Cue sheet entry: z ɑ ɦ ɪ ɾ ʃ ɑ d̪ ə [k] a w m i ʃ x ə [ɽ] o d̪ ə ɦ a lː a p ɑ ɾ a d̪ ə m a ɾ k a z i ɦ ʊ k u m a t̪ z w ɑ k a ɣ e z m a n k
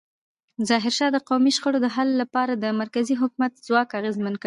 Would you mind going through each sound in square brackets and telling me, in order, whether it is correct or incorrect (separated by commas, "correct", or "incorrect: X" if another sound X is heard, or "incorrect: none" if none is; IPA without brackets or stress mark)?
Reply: incorrect: q, correct